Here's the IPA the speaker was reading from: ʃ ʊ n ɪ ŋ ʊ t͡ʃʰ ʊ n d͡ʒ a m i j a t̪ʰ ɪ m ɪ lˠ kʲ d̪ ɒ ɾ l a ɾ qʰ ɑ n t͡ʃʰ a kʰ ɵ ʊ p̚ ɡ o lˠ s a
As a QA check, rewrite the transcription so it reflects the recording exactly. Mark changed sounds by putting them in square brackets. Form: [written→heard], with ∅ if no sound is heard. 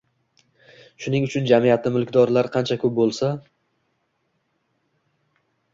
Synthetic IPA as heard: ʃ ʊ n ɪ ŋ ʊ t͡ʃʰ ʊ n d͡ʒ a m i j a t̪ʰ ɪ m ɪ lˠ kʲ d̪ ɒ ɾ l a ɾ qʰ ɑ n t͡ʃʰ a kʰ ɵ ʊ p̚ [ɡ→b] o lˠ s a

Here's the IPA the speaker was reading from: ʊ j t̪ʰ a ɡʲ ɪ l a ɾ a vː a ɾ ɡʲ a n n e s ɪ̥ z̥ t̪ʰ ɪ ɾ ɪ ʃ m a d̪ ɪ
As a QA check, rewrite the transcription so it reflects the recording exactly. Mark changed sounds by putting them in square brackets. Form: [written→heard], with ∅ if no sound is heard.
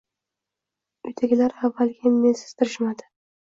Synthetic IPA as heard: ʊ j t̪ʰ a ɡʲ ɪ l a ɾ a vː a [ɾ→l] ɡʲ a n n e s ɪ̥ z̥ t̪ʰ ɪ ɾ ɪ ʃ m a d̪ ɪ

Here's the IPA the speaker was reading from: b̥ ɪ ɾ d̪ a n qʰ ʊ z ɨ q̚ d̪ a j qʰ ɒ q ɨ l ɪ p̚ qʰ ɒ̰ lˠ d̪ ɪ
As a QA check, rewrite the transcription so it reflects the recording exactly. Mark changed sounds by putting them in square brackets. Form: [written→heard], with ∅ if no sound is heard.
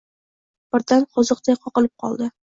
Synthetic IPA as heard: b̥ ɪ ɾ d̪ a n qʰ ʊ z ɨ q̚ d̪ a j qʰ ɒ q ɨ l ɪ p̚ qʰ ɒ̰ lˠ d̪ ɪ

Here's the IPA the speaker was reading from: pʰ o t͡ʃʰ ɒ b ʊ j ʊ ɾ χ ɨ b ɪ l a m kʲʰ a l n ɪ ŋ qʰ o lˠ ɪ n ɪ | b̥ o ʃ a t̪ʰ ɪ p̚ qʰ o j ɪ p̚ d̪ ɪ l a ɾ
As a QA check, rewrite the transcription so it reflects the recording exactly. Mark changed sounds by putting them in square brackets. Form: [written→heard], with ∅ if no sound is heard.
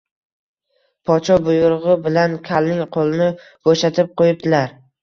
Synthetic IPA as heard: pʰ [o→ɒ] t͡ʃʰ ɒ b ʊ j ʊ ɾ [χ→ʁ] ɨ b ɪ l a [m→n] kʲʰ a l n ɪ ŋ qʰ o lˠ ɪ n ɪ | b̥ o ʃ a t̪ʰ ɪ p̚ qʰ o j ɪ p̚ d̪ ɪ l a ɾ

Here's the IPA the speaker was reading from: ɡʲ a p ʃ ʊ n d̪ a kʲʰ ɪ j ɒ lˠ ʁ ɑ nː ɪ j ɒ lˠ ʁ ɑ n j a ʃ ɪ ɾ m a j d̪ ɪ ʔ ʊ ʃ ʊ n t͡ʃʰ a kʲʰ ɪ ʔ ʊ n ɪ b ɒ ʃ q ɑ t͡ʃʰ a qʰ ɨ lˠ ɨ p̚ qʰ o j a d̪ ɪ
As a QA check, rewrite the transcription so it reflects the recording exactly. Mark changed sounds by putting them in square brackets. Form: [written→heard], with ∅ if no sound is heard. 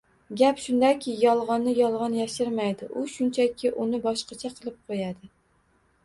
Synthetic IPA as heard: ɡʲ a p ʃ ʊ n d̪ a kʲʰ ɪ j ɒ lˠ ʁ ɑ nː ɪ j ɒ lˠ ʁ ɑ n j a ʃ ɪ ɾ m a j d̪ ɪ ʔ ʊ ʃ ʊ n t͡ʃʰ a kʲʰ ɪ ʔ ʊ n ɪ b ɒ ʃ q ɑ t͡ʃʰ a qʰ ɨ lˠ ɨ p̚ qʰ o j a d̪ ɪ

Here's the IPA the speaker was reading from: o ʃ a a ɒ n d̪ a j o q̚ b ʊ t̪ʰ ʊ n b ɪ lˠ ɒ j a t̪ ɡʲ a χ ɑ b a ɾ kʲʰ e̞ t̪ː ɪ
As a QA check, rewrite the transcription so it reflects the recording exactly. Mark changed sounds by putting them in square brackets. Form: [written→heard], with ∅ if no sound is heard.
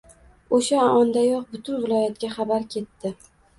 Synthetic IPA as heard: o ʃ a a ɒ n d̪ a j [o→ɒ] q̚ b ʊ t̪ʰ ʊ n [b→v] ɪ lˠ ɒ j a t̪ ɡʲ a χ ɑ b a ɾ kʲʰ e̞ t̪ː ɪ

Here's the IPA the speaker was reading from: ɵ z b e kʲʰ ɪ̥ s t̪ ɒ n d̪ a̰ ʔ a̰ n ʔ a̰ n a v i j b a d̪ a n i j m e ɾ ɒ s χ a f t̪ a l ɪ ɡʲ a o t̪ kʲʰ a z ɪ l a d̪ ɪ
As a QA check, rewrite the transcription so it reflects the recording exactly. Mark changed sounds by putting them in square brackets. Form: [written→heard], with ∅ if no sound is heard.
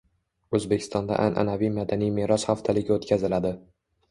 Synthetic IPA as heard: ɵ z b e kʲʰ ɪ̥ s t̪ ɒ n d̪ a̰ ʔ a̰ n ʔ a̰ n a v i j [b→m] a d̪ a n i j m e ɾ ɒ s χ a f [t̪→t̪ʰ] a l ɪ ɡʲ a o t̪ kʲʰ a z ɪ l a d̪ ɪ

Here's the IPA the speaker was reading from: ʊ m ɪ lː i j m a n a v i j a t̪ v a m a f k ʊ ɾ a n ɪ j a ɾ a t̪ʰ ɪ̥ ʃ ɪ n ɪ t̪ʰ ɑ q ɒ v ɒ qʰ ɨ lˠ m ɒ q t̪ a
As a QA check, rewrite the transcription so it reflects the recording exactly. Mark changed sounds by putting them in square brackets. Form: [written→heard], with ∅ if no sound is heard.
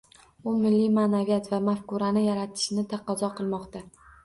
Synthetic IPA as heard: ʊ m ɪ lː i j m a n a v i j a t̪ v a m a f k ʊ ɾ a n ɪ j a ɾ a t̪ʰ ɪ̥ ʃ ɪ n ɪ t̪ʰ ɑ q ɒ [v→z] ɒ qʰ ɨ lˠ m ɒ q t̪ a

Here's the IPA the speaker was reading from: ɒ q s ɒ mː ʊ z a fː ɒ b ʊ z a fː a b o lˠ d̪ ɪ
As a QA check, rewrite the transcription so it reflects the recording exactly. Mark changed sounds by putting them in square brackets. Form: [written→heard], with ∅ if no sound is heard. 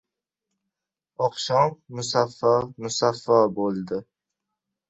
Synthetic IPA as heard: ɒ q [s→ʃ] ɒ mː ʊ [z→s] a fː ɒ [b→m] ʊ [z→s] a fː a b o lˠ d̪ ɪ

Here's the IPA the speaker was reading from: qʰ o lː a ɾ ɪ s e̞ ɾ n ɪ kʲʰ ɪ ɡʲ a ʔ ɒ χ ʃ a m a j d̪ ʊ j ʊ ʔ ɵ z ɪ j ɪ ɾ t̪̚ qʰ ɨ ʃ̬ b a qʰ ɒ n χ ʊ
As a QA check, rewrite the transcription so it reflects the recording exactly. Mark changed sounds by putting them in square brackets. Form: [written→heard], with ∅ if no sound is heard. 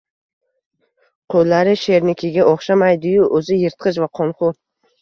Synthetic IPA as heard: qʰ o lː a ɾ ɪ [s→ʃ] e̞ ɾ n ɪ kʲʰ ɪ ɡʲ a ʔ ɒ χ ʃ a m a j d̪ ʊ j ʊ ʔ ɵ z ɪ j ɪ ɾ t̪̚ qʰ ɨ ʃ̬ [b→v] a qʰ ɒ n χ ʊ

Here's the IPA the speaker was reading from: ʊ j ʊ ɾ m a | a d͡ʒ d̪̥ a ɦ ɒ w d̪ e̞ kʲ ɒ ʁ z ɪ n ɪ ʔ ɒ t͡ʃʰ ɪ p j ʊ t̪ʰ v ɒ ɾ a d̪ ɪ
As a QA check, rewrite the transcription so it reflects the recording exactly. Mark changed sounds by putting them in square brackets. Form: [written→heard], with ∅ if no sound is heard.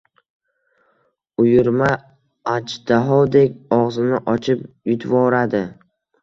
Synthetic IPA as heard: ʊ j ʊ ɾ m a | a d͡ʒ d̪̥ a ɦ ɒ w d̪ e̞ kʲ ɒ ʁ z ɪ n ɪ ʔ ɒ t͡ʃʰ ɪ p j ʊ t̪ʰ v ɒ ɾ a d̪ ɪ

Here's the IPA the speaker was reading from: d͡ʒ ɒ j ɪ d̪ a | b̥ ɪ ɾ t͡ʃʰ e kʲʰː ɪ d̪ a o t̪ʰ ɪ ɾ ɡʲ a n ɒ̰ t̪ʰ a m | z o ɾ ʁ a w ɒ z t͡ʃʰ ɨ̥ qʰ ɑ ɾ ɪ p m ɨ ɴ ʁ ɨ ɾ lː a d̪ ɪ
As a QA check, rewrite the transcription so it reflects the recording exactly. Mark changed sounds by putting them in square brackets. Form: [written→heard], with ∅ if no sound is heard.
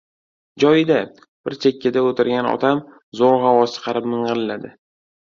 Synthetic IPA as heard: d͡ʒ ɒ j ɪ d̪ a | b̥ ɪ ɾ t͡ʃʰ e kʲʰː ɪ d̪ a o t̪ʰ ɪ ɾ ɡʲ a n ɒ̰ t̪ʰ a m | z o ɾ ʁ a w ɒ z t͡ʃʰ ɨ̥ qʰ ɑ ɾ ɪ p m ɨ ɴ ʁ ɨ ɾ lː a d̪ ɪ

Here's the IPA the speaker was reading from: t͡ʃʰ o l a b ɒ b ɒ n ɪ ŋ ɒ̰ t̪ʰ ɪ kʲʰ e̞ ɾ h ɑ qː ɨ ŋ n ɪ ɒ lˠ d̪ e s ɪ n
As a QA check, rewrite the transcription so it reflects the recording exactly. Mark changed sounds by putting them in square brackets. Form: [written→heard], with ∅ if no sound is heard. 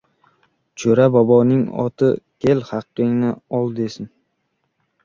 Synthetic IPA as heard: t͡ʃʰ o [l→ɾ] a b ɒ b ɒ n ɪ ŋ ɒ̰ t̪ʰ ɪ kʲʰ e̞ [ɾ→l] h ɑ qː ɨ ŋ n ɪ ɒ lˠ d̪ e s ɪ n

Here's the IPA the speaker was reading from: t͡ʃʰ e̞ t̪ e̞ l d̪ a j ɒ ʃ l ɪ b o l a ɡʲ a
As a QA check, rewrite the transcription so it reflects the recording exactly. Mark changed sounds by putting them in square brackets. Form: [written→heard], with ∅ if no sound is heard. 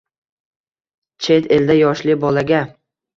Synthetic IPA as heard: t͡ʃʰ e̞ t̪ e̞ l d̪ a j ɒ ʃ l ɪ b [o→ɒ] l a ɡʲ a

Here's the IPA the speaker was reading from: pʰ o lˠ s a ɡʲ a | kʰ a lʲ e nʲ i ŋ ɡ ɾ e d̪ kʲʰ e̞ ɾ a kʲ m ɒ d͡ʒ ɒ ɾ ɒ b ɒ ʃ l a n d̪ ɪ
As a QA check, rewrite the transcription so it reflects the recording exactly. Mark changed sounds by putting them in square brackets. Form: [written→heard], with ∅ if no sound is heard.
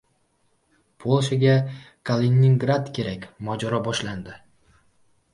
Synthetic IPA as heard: pʰ o lˠ [s→ʃ] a ɡʲ a | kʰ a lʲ e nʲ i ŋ ɡ ɾ [e→a] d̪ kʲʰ e̞ ɾ a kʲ m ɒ d͡ʒ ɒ ɾ ɒ b ɒ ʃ l a n d̪ ɪ

